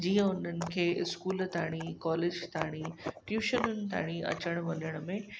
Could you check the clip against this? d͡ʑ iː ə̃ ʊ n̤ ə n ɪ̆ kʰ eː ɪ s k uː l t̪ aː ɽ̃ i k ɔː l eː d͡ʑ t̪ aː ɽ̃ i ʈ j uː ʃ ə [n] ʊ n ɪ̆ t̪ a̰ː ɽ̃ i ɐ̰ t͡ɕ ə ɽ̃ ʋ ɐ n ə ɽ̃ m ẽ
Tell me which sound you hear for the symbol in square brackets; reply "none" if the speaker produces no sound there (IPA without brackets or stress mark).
n